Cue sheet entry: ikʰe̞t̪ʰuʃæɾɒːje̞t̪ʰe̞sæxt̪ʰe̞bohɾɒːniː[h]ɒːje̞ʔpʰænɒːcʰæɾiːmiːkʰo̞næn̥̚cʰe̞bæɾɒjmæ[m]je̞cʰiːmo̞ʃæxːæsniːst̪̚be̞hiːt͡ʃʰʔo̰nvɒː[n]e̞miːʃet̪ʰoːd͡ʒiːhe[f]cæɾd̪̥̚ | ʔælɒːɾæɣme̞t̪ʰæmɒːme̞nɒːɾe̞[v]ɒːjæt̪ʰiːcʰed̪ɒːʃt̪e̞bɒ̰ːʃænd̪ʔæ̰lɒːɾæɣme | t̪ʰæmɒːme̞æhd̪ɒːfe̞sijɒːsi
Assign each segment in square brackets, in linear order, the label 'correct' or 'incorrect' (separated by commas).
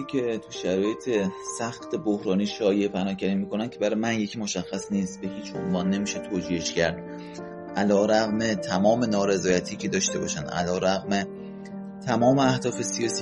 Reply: incorrect, incorrect, incorrect, incorrect, incorrect